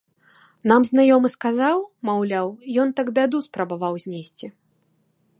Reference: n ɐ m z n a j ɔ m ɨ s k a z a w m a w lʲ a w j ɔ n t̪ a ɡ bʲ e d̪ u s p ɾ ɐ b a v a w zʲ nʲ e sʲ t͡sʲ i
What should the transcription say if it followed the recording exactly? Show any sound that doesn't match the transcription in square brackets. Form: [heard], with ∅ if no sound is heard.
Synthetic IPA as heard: n [a] m z n a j ɔ m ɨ s k a z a w m a w lʲ a w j ɔ n t̪ a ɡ bʲ [a] d̪ u s p ɾ ɐ b a v a w zʲ nʲ e sʲ t͡sʲ i